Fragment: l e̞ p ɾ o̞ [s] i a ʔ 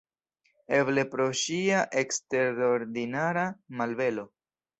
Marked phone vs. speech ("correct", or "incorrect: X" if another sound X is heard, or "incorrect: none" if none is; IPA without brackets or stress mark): incorrect: ʃ